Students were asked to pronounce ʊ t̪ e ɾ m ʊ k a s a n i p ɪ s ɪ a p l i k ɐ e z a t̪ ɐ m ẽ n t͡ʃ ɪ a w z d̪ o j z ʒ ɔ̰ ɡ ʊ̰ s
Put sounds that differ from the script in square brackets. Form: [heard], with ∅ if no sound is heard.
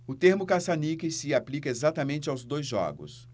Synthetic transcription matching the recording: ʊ t̪ e ɾ m ʊ k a s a n i [k] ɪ s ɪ a p l i k ɐ e z a t̪ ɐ m ẽ n t͡ʃ ɪ a w z d̪ o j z ʒ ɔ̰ ɡ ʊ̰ s

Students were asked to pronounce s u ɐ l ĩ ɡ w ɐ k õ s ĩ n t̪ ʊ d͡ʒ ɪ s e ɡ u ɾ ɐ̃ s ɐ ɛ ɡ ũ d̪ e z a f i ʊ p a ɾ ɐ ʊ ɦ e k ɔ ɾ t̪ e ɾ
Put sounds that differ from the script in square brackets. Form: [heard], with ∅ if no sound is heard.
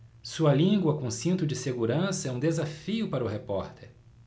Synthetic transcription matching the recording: s u ɐ l ĩ ɡ w ɐ k õ s ĩ n t̪ ʊ d͡ʒ ɪ s e ɡ u ɾ ɐ̃ s ɐ ɛ [∅] ũ d̪ e z a f i ʊ p a ɾ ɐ ʊ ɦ e [p] ɔ ɾ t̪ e ɾ

